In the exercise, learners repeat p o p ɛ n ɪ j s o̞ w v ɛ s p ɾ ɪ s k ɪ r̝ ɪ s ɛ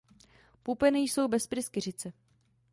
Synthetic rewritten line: p u p ɛ n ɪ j s o̞ w b ɛ s p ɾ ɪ s k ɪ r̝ ɪ t͡s ɛ